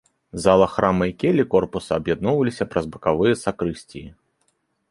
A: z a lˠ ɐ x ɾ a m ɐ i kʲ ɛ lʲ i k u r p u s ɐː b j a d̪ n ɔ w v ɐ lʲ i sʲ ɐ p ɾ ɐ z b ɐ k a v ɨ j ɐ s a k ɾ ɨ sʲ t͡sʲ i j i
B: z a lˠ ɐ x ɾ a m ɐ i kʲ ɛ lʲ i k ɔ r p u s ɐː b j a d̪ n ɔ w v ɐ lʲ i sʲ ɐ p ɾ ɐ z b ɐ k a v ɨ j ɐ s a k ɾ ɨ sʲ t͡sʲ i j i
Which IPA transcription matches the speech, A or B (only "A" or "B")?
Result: B